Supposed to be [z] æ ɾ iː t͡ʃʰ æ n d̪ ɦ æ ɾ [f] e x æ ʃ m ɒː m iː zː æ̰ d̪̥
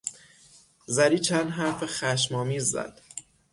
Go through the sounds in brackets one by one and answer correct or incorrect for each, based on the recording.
correct, correct

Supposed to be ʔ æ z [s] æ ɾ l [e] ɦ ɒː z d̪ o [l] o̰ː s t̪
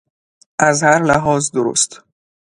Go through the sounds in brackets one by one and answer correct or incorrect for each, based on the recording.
incorrect, incorrect, incorrect

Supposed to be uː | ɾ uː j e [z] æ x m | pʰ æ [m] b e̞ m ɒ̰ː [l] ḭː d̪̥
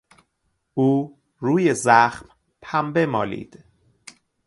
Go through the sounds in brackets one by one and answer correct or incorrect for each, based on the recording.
correct, correct, correct

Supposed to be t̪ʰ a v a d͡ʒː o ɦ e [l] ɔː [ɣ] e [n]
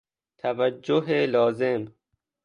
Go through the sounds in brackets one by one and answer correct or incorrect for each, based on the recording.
correct, incorrect, incorrect

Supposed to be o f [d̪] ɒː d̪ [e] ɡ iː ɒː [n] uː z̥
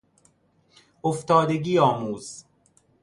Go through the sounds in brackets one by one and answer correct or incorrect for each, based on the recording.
incorrect, correct, incorrect

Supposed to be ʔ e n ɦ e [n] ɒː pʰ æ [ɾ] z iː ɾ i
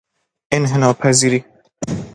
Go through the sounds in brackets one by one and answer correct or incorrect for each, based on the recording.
correct, incorrect

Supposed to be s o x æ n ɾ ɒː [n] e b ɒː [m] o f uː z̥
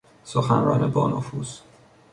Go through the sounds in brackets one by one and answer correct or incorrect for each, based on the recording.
correct, incorrect

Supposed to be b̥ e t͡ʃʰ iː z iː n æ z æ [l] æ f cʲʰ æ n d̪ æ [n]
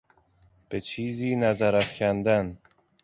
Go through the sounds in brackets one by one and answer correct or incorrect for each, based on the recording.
incorrect, correct

